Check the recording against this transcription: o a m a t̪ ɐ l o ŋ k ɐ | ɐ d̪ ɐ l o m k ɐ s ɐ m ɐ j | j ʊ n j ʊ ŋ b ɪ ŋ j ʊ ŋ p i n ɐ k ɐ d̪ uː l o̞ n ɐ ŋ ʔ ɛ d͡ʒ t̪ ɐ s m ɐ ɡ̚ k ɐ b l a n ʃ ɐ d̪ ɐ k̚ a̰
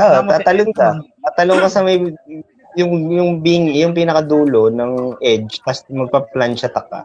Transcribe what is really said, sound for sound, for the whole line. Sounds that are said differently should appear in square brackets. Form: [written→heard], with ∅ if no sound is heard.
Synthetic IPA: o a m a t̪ ɐ l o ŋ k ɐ | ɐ [d̪→t̪] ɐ l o [m→ŋ] k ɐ s ɐ m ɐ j | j ʊ [n→ŋ] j ʊ ŋ b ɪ ŋ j ʊ ŋ p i n ɐ k ɐ d̪ uː l o̞ n ɐ ŋ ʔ ɛ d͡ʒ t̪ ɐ s m ɐ ɡ̚ [k→p] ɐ [b→p] l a n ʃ ɐ [d̪→t̪] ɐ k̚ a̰